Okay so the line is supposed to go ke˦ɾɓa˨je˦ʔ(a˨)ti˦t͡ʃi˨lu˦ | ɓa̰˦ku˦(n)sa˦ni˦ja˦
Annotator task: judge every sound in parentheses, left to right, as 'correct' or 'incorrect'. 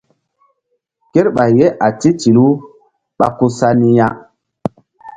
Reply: correct, incorrect: none

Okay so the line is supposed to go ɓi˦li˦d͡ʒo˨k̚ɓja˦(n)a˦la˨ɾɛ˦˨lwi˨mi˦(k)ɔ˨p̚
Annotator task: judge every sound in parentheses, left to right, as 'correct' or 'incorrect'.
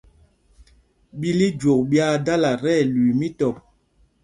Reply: incorrect: d, incorrect: t

